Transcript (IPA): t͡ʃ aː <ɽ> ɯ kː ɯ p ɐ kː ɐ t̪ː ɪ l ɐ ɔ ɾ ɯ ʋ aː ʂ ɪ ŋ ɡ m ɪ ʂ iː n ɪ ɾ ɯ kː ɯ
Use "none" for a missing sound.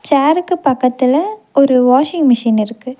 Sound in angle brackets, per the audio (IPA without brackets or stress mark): ɾ